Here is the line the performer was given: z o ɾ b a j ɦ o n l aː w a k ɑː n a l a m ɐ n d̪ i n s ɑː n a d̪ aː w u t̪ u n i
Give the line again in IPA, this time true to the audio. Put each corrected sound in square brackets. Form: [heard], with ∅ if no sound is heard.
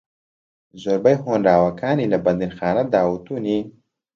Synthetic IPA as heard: z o ɾ b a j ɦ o n [ɾ] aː w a k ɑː n [i] l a [b] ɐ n d̪ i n [x] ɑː n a d̪ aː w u t̪ u n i